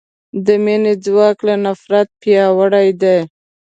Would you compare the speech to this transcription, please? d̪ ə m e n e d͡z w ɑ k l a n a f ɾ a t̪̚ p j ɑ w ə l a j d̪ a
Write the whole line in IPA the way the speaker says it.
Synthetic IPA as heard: d̪ ə m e n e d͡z w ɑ k l a n a f ɾ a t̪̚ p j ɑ w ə ɽ a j d̪ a